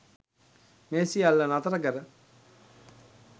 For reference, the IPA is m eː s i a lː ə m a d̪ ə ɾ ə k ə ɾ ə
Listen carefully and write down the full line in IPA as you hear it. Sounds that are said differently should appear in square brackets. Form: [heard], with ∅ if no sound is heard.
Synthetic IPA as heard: m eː s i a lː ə [n] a [t̪] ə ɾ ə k ə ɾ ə